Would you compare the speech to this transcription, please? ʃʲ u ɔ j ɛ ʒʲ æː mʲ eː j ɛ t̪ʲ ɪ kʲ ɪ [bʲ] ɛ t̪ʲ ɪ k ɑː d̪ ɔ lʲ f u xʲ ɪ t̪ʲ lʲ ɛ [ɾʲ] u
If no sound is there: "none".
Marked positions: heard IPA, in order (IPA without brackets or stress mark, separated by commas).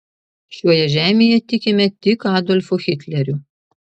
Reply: mʲ, ɾʲ